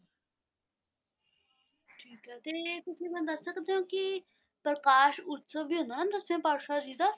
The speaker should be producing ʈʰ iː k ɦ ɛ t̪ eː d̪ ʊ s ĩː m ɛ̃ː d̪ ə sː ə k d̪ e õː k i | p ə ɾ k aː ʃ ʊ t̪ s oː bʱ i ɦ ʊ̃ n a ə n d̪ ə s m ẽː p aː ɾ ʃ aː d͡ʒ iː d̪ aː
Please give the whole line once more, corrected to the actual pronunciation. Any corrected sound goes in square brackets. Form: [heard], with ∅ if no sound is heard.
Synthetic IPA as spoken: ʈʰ iː k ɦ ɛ t̪ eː [t̪] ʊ s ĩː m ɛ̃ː d̪ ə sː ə k d̪ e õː k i | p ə ɾ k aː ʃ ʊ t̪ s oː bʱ i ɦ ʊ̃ n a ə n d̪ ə s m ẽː p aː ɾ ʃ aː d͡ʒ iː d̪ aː